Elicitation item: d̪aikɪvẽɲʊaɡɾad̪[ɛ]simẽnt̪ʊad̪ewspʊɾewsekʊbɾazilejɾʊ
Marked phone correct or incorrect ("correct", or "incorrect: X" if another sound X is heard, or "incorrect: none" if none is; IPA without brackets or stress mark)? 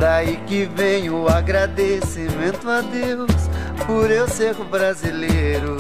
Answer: incorrect: e